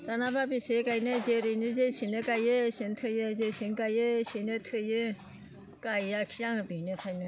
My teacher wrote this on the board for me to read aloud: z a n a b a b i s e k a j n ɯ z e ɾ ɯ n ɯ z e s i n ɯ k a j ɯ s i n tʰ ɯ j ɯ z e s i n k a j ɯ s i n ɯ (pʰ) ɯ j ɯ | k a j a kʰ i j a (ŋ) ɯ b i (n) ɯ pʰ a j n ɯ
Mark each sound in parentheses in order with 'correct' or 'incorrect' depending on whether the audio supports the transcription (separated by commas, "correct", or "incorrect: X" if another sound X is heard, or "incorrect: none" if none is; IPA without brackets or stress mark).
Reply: incorrect: tʰ, correct, correct